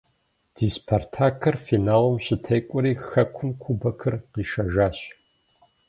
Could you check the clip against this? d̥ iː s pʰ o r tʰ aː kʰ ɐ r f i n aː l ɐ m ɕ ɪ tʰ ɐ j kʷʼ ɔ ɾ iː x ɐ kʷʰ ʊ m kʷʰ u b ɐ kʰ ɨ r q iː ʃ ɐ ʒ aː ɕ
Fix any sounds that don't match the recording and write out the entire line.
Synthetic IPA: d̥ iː s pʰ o r tʰ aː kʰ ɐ r f i n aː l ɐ m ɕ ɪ tʰ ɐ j kʷʼ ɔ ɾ iː x ɐ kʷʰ ʊ m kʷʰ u b ɐ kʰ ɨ r q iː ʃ ɐ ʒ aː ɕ